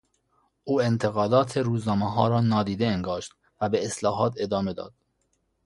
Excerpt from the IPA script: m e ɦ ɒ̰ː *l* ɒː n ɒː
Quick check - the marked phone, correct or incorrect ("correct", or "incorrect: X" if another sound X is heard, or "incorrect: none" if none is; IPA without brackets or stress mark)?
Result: incorrect: ɾ